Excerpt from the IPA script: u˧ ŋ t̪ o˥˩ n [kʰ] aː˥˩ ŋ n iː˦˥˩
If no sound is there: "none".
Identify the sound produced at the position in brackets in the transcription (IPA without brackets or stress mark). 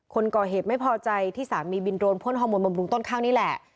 kʰ